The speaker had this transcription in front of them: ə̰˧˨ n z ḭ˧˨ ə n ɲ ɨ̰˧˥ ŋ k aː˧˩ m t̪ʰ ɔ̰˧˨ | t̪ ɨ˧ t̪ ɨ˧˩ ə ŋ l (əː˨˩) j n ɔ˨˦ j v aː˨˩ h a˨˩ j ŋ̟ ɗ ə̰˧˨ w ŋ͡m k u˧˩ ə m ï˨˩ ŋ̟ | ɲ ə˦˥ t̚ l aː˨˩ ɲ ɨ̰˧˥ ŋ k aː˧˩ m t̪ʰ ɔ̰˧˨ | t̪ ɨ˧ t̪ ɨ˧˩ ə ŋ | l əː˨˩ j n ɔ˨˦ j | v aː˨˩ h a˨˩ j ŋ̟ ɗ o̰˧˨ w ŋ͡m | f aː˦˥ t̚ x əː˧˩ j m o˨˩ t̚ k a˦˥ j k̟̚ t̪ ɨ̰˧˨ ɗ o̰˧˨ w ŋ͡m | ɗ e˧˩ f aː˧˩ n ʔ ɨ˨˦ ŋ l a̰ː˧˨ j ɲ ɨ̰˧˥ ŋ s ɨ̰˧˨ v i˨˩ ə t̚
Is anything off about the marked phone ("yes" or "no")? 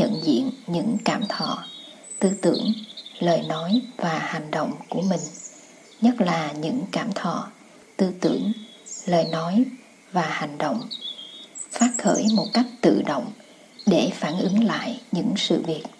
no